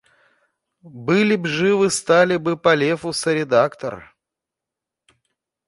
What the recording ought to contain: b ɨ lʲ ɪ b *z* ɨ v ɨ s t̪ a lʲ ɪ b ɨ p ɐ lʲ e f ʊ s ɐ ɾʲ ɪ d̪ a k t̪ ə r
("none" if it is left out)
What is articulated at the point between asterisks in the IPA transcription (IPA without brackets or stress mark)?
ʐ